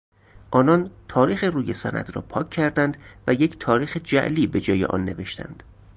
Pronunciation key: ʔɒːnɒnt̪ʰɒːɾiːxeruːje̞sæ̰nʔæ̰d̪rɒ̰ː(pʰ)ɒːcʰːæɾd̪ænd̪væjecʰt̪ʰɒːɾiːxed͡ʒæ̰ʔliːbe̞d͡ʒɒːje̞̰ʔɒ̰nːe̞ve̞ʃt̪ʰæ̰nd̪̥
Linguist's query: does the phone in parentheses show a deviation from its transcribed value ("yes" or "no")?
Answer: no